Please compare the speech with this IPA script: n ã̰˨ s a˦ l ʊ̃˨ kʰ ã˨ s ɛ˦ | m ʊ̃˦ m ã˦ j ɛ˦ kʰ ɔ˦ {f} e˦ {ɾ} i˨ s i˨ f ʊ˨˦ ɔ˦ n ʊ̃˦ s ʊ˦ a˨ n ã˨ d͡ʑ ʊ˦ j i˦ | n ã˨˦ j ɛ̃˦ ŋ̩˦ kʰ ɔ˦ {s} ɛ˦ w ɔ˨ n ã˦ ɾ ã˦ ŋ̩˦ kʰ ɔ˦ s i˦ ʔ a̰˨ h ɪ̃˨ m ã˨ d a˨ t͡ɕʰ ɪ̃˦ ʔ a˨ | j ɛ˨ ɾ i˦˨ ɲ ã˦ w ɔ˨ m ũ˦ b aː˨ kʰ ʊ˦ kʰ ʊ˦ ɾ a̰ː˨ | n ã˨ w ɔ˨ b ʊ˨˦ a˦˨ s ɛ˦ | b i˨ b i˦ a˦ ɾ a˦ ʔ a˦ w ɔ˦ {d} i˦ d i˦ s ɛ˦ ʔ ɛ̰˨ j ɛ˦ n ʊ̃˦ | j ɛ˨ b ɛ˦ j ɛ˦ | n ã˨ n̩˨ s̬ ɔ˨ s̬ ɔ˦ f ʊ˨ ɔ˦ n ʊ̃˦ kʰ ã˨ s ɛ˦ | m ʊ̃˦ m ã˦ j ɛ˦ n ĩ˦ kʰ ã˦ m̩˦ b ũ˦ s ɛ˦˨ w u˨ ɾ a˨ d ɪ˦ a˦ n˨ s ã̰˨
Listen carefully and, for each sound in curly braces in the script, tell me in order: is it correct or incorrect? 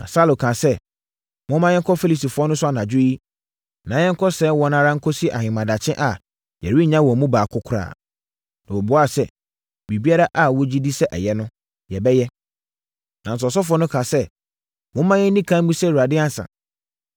correct, incorrect: l, correct, incorrect: d͡ʑ

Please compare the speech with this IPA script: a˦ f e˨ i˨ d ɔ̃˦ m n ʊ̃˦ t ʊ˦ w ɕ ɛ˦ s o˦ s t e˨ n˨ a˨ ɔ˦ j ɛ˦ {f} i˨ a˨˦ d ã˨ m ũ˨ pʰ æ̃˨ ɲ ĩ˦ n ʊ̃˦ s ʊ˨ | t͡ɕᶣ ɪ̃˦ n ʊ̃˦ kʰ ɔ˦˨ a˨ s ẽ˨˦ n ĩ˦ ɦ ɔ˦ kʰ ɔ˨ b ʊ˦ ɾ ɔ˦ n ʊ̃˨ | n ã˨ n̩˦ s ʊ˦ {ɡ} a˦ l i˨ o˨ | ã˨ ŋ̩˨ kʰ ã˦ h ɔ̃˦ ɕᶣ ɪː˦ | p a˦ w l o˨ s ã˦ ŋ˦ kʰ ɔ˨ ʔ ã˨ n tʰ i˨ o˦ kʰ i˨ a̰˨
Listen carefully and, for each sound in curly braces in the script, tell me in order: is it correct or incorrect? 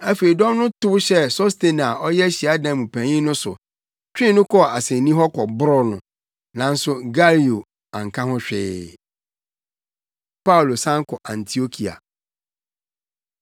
incorrect: ɕ, correct

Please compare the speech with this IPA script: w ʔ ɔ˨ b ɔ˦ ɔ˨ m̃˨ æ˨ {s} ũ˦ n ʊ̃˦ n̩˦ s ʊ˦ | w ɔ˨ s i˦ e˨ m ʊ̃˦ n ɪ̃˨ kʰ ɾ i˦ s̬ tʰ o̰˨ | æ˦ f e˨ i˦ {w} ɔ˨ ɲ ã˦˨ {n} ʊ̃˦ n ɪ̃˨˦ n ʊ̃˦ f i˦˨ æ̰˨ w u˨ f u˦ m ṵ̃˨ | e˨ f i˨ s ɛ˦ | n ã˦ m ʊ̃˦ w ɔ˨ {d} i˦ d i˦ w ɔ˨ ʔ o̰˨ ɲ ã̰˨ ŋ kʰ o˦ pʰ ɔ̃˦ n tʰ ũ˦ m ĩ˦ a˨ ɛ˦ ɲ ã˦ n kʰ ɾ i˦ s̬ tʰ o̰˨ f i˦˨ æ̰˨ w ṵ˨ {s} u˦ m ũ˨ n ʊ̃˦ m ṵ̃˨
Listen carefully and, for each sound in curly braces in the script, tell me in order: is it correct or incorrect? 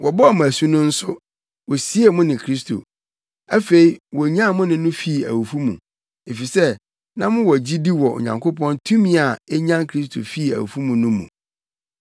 correct, correct, incorrect: m, incorrect: d͡ʑ, incorrect: f

